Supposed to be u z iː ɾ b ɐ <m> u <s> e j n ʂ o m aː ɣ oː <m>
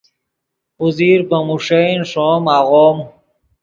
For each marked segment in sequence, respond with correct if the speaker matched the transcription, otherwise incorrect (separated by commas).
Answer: correct, incorrect, correct